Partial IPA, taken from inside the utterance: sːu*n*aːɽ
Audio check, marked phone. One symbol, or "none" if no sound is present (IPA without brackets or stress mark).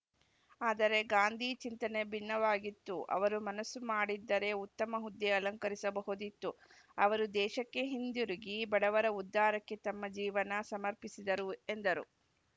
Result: m